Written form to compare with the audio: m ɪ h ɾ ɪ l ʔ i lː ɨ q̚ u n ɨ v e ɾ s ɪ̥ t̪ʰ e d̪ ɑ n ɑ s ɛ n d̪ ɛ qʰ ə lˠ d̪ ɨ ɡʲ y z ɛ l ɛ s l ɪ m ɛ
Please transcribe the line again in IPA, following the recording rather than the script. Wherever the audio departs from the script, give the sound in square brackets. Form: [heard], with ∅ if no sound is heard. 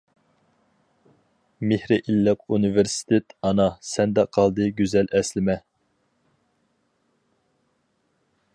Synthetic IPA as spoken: m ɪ h ɾ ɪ [∅] ʔ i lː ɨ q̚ u n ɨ v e ɾ s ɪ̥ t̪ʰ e [t̪] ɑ n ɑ s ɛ n d̪ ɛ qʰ [ɑ] lˠ d̪ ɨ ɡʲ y z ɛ l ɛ s l ɪ m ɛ

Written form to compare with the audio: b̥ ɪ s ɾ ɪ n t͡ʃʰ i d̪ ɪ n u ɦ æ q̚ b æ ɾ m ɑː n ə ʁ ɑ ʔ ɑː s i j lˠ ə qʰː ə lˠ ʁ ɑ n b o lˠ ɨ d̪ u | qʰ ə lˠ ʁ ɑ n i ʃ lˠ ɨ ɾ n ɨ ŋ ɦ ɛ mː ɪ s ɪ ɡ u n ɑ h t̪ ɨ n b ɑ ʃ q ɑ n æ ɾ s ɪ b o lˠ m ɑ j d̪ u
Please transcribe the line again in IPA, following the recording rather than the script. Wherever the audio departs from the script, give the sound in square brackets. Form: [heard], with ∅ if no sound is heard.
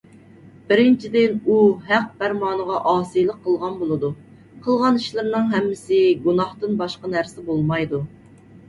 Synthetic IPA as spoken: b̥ ɪ [∅] ɾ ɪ n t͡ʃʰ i d̪ ɪ n u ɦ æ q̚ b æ ɾ m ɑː n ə ʁ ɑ ʔ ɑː s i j lˠ ə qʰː ə lˠ ʁ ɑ n b o lˠ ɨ d̪ u | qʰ ə lˠ ʁ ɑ n i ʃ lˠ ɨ ɾ n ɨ ŋ ɦ ɛ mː ɪ s ɪ ɡ u n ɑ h t̪ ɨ n b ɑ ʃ q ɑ n æ ɾ s ɪ b o lˠ m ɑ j d̪ u

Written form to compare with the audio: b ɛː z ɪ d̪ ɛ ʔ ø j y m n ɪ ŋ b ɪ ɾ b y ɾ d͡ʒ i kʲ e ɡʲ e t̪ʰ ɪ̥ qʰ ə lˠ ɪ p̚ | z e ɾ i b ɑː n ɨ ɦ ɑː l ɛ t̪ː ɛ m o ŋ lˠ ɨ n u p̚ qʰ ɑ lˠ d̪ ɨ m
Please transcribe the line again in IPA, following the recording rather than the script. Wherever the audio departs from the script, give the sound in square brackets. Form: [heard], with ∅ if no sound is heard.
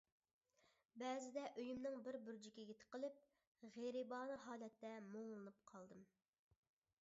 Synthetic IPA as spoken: b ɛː z ɪ d̪ ɛ ʔ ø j y m n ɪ ŋ b ɪ ɾ b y ɾ d͡ʒ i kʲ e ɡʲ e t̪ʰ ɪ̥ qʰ ə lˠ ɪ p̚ | [ʁ] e ɾ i b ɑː n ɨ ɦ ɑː l ɛ t̪ː ɛ m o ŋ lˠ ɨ n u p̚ qʰ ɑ lˠ d̪ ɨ m

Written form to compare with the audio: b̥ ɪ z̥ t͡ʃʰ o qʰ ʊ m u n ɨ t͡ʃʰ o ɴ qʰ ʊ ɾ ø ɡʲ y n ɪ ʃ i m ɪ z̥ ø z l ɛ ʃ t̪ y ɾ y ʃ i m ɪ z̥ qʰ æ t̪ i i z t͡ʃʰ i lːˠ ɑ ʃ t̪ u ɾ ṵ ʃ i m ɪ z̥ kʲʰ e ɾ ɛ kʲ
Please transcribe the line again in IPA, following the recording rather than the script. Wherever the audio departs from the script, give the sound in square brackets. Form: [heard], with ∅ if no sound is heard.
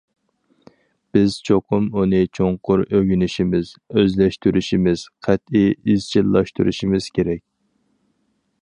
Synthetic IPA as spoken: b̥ ɪ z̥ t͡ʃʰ o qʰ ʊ m u n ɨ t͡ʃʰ o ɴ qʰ ʊ ɾ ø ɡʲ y n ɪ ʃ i m ɪ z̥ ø z l ɛ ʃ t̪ y ɾ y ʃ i m ɪ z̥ qʰ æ t̪ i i z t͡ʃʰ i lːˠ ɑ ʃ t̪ u ɾ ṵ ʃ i m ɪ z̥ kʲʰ e ɾ ɛ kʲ

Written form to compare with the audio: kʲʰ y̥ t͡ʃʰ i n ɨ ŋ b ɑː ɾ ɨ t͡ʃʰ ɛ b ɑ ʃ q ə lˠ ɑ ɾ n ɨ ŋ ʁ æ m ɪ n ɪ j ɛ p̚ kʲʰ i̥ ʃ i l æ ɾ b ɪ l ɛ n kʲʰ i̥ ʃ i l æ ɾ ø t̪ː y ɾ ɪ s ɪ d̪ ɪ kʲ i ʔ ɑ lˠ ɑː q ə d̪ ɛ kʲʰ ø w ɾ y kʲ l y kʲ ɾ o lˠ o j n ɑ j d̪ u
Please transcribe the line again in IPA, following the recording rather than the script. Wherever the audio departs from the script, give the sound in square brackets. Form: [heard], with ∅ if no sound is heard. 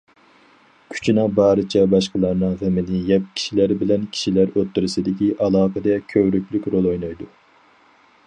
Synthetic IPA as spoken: kʲʰ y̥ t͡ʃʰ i n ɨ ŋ b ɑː ɾ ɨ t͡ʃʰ ɛ b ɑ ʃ q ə lˠ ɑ ɾ n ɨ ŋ ʁ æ m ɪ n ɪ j ɛ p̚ kʲʰ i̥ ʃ i l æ ɾ b ɪ l ɛ n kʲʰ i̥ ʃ i l æ ɾ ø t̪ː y ɾ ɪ s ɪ d̪ ɪ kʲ i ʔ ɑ lˠ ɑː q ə d̪ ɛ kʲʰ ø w ɾ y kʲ l y kʲ ɾ o lˠ o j n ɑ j d̪ u

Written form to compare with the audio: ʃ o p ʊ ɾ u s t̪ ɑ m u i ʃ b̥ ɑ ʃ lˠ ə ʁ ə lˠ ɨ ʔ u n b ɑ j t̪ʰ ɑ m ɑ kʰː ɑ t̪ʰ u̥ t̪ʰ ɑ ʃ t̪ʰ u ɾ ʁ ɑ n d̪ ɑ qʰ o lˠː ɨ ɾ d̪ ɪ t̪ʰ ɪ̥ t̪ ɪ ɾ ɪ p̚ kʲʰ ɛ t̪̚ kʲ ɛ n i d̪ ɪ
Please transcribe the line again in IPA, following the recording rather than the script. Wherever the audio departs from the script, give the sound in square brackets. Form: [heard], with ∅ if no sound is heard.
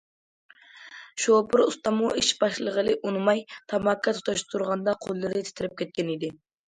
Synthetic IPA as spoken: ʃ o p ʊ ɾ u s t̪ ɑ m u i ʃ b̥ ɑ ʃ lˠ ə ʁ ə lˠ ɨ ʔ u n [m] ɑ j t̪ʰ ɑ m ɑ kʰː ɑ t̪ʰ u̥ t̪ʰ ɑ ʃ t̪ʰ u ɾ ʁ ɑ n d̪ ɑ qʰ o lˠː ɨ ɾ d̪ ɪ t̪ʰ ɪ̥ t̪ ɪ ɾ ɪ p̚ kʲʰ ɛ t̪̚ kʲ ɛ n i d̪ ɪ

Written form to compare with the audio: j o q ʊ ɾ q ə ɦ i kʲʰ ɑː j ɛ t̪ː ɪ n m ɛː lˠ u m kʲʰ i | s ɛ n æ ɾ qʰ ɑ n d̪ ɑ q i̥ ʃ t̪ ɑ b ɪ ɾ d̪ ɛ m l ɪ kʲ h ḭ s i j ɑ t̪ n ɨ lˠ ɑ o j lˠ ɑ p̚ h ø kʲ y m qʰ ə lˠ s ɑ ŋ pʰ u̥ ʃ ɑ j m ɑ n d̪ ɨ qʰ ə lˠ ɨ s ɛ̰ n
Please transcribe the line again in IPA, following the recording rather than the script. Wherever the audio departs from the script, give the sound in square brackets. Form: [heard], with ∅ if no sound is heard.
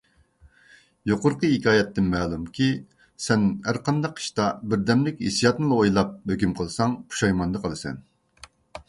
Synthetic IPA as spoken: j o q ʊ ɾ q ə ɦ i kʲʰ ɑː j ɛ t̪ː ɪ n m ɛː lˠ u m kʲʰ i | s ɛ n æ ɾ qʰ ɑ n d̪ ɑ q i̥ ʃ t̪ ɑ b ɪ ɾ d̪ ɛ m l ɪ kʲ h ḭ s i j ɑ t̪ n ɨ lˠ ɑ o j lˠ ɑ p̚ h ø kʲ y m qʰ ə lˠ s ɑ ŋ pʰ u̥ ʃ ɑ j m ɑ n d̪ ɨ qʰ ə lˠ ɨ s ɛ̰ n

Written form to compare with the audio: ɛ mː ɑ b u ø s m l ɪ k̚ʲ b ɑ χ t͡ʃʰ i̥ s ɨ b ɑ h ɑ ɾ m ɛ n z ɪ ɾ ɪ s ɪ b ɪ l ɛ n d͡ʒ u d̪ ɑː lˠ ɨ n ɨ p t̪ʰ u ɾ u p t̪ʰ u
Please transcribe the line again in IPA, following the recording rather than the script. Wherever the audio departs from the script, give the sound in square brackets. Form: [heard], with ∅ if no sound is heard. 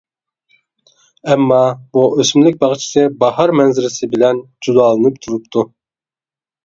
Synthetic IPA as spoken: ɛ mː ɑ b u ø s m l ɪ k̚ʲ b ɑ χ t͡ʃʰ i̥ s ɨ b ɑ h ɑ ɾ m ɛ n z ɪ ɾ ɪ s ɪ b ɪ l ɛ n d͡ʒ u d̪ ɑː lˠ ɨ n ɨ p t̪ʰ u ɾ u p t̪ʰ u

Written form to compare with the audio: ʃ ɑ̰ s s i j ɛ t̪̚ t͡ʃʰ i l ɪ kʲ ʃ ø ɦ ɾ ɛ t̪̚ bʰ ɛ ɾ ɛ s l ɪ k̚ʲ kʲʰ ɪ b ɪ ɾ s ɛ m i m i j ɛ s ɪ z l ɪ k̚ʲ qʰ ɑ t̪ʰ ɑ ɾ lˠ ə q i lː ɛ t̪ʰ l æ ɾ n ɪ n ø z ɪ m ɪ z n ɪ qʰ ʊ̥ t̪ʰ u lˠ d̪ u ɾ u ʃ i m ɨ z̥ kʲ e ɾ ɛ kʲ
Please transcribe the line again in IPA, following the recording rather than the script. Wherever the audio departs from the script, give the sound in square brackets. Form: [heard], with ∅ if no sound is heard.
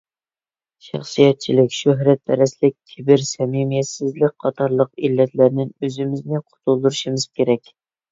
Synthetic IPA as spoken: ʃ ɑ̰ [χ] s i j ɛ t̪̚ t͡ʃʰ i l ɪ kʲ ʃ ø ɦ ɾ ɛ t̪̚ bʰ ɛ ɾ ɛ s l ɪ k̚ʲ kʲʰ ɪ b ɪ ɾ s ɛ m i m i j ɛ s ɪ z l ɪ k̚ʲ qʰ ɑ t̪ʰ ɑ ɾ lˠ ə q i lː ɛ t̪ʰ l æ ɾ n ɪ n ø z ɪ m ɪ z n ɪ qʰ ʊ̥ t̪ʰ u lˠ d̪ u ɾ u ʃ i m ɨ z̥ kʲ e ɾ ɛ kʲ

